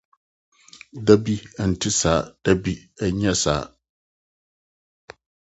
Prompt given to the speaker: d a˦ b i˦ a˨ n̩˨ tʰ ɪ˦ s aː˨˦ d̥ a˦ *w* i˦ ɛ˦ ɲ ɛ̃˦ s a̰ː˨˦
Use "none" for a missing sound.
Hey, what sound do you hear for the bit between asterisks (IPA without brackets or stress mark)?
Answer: b